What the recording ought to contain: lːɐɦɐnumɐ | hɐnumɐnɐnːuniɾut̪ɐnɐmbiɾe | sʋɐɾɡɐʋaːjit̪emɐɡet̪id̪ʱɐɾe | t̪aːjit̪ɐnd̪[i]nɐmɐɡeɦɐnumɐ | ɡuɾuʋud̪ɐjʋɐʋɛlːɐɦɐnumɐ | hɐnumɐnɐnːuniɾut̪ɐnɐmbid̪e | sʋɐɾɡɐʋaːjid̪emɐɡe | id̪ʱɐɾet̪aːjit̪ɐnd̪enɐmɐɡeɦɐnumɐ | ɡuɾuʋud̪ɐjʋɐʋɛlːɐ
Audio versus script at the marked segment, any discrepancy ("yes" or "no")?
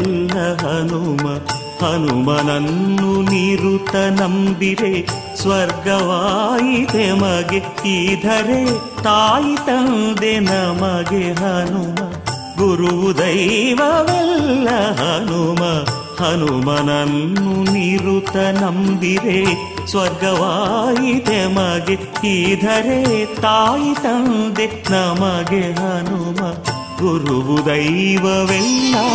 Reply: yes